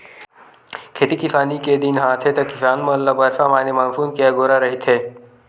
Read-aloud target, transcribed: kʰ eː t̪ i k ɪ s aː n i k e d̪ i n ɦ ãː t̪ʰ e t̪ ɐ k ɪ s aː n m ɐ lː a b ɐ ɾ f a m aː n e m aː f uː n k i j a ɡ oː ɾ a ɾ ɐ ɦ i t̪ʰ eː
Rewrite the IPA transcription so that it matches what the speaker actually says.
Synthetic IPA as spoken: kʰ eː t̪ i k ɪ s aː n i k e d̪ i n ɦ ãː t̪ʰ e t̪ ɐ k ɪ s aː n m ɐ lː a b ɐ ɾ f a m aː n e m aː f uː n k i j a ɡ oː ɾ a ɾ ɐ ɦ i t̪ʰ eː